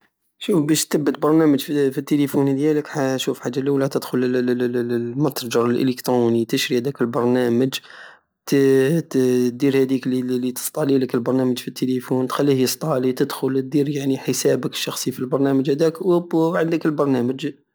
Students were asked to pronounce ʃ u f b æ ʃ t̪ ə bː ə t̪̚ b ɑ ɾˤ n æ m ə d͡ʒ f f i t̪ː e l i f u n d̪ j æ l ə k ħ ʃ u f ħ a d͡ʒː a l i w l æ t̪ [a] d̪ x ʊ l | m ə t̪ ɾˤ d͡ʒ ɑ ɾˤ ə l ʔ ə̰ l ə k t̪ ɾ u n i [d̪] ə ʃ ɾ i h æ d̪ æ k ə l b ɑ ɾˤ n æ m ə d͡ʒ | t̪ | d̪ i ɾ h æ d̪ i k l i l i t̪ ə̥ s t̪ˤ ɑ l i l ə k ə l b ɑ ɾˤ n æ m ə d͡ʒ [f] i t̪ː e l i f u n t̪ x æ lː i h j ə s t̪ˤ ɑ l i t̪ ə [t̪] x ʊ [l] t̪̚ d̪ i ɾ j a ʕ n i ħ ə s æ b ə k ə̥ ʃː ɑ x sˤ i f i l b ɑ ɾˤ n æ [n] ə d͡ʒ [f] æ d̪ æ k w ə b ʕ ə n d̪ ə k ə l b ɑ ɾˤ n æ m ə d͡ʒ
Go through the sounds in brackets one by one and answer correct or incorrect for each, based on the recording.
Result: incorrect, incorrect, correct, incorrect, correct, incorrect, incorrect

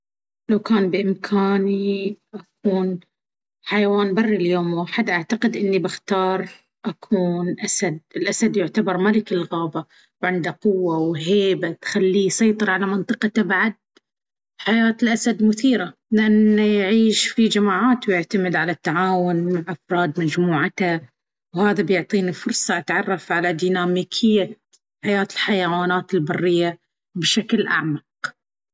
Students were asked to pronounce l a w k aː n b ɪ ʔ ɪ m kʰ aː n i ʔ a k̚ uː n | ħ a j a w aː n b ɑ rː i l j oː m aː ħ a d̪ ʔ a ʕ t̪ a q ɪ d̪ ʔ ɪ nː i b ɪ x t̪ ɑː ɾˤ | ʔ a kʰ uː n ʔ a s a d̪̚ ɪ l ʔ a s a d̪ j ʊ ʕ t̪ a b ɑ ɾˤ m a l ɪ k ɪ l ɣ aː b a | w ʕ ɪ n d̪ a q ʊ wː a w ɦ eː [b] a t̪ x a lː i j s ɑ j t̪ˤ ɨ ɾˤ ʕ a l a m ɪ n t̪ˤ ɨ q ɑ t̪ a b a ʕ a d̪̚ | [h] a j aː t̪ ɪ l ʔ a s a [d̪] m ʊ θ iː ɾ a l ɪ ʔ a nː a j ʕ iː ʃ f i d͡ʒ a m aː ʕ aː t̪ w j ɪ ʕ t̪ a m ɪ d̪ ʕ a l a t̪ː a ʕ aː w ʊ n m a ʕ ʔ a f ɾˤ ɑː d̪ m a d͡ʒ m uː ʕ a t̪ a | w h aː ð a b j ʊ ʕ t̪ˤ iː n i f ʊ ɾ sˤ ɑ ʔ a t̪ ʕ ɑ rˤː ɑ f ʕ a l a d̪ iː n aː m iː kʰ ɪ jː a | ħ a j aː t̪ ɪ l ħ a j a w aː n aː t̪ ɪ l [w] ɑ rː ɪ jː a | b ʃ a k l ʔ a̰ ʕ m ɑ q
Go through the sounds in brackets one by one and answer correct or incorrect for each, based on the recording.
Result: correct, incorrect, correct, incorrect

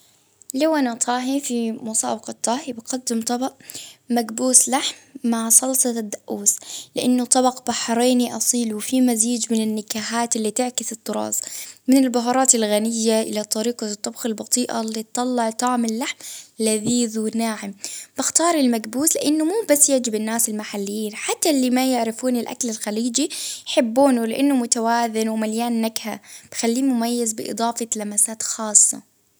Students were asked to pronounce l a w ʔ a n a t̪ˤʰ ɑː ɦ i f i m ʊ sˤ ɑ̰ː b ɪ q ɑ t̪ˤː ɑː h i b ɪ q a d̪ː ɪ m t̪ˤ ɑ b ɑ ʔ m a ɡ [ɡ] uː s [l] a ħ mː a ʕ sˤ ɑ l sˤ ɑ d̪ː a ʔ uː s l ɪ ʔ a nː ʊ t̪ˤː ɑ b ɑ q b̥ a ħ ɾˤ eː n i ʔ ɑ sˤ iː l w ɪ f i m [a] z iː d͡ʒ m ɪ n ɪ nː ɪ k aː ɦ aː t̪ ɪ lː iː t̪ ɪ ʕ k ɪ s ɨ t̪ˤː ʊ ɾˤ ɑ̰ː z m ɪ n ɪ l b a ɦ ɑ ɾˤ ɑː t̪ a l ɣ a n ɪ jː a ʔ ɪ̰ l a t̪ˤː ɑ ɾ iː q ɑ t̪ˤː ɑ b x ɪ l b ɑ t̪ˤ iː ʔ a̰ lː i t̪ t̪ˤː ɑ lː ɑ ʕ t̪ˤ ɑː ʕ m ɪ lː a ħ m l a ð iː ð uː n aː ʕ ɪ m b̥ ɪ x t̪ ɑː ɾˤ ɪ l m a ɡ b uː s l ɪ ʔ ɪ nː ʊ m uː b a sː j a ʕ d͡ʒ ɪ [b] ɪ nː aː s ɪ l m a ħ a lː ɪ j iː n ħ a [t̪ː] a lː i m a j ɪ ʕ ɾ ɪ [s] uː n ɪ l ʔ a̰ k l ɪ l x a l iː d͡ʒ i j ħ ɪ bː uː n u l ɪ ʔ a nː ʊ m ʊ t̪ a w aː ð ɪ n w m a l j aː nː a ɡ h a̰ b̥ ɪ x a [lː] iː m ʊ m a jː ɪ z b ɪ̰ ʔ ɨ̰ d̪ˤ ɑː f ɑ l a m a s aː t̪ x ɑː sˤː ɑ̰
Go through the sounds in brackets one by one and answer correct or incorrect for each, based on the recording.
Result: incorrect, correct, correct, correct, correct, incorrect, correct

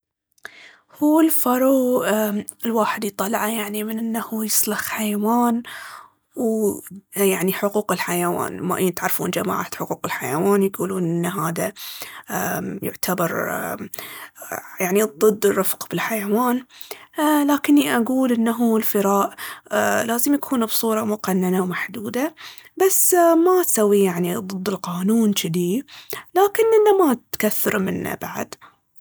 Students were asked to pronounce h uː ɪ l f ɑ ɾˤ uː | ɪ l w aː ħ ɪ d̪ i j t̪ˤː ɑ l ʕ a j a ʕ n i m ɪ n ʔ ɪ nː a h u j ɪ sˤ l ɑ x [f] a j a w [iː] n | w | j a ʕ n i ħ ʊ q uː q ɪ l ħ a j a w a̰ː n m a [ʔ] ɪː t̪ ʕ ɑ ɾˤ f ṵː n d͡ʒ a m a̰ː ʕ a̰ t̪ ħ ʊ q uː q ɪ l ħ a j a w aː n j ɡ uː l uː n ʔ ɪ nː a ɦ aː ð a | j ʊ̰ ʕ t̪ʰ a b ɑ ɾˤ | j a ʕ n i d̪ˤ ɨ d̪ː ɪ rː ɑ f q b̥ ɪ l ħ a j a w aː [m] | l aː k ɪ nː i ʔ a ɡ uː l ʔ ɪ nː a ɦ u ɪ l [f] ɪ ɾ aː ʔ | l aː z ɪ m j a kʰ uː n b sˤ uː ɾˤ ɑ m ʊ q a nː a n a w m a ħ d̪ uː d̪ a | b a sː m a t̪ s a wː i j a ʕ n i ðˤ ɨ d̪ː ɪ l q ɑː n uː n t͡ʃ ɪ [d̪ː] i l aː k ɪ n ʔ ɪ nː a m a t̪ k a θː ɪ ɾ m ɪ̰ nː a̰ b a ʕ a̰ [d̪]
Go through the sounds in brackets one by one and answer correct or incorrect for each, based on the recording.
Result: incorrect, incorrect, correct, incorrect, correct, incorrect, correct

